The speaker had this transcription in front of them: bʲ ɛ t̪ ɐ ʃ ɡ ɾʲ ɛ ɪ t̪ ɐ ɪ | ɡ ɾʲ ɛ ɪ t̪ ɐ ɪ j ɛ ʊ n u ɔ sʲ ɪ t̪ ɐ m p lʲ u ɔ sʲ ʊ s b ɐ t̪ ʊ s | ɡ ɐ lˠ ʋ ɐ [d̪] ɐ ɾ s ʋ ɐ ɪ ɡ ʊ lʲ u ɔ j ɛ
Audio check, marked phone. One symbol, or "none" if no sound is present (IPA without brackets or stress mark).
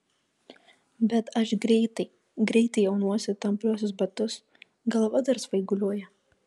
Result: d̪